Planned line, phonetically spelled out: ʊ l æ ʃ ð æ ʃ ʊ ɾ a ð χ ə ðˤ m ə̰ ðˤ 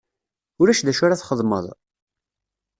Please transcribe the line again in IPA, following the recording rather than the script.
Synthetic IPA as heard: ʊ ɾ æ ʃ ð æ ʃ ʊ ɾ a θ χ ə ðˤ m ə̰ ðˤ